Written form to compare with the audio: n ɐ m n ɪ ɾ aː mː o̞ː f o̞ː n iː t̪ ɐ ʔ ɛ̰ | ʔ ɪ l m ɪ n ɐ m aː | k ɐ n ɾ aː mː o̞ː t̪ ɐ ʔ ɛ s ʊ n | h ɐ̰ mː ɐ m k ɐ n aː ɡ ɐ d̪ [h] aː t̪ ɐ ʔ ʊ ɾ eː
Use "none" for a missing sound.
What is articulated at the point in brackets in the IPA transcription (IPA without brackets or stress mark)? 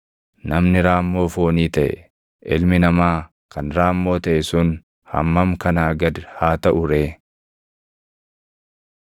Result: h